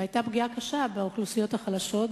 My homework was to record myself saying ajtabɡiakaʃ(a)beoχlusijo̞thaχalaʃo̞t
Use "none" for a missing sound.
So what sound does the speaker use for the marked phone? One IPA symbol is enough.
a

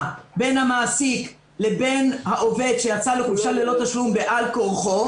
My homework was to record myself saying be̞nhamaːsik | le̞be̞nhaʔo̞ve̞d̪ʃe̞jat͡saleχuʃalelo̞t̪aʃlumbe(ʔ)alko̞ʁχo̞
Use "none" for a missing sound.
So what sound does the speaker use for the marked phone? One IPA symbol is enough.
ʔ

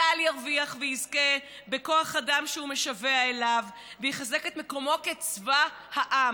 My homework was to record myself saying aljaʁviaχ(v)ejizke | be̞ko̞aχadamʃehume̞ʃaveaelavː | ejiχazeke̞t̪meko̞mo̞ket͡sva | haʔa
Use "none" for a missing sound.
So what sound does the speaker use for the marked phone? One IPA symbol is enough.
v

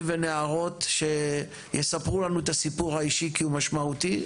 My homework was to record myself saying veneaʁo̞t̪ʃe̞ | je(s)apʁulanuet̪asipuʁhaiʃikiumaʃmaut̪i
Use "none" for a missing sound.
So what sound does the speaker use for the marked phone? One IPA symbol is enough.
s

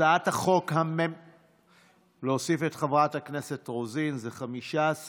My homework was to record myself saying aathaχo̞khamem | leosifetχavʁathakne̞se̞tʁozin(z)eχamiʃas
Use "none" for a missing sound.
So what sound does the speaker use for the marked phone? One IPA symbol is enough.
z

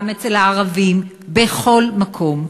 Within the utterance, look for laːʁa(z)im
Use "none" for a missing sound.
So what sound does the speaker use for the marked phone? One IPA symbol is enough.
v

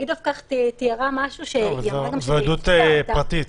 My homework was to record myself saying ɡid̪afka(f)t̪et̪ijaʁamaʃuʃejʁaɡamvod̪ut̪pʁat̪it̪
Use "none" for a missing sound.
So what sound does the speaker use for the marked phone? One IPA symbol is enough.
χ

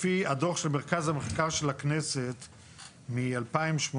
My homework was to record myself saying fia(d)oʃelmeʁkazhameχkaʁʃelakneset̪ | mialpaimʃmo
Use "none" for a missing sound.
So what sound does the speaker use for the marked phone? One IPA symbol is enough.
d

